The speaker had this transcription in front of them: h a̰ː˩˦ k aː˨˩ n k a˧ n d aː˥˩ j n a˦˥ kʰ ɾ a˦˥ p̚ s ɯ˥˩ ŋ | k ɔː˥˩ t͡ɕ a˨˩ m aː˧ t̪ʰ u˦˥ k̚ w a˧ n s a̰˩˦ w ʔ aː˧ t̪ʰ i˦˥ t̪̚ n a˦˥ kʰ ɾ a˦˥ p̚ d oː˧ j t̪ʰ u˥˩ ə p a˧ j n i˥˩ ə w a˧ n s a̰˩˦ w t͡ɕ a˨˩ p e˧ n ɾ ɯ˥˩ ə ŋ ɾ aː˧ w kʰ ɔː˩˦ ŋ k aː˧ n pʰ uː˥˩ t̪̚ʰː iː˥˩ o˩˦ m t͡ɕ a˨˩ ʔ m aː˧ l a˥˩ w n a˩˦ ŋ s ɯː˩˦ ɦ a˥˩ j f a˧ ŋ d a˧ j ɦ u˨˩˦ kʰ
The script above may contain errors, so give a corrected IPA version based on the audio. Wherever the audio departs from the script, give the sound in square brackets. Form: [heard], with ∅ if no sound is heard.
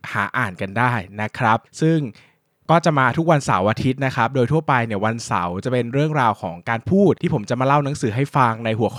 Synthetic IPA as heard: h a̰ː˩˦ [ʔ] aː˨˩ n k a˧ n d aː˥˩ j n a˦˥ kʰ ɾ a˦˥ p̚ s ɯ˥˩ ŋ | k ɔː˥˩ t͡ɕ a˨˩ m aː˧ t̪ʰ u˦˥ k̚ w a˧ n s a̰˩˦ w ʔ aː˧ t̪ʰ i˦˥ t̪̚ n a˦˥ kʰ ɾ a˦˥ p̚ d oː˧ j t̪ʰ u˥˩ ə p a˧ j n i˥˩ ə w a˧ n s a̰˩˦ w t͡ɕ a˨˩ p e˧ n ɾ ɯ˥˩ ə ŋ ɾ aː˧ w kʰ ɔː˩˦ ŋ k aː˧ n pʰ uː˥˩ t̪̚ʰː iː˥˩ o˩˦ m t͡ɕ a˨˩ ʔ m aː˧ l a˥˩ w n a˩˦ ŋ s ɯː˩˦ ɦ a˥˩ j f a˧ ŋ [n] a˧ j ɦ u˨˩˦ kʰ